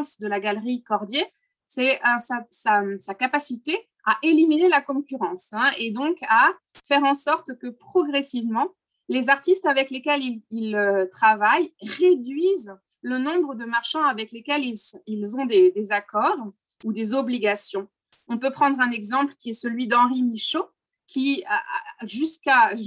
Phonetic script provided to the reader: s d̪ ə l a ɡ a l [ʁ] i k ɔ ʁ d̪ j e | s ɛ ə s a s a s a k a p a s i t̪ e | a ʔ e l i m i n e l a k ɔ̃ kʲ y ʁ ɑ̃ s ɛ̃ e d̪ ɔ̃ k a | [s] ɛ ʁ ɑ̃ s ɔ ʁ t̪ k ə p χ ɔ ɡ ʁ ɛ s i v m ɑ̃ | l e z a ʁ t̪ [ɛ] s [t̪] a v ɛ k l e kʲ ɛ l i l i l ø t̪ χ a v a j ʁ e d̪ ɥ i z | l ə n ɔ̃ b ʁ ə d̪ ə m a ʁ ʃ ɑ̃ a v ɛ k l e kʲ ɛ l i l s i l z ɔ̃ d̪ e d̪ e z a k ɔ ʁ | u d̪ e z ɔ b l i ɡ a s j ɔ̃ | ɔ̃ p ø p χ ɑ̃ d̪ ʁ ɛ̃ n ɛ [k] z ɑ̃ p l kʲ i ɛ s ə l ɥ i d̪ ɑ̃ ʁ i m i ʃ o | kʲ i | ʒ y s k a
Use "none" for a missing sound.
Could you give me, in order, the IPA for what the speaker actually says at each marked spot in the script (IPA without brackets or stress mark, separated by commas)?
ʁ, f, i, t̪, ɡ